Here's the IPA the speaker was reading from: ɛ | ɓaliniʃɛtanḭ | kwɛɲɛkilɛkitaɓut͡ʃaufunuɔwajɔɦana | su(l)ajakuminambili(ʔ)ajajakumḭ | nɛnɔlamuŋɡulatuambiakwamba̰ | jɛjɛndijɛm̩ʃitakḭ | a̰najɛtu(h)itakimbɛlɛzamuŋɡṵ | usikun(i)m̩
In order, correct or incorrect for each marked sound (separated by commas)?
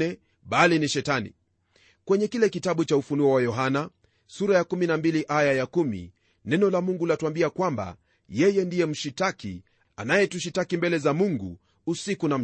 incorrect, correct, incorrect, incorrect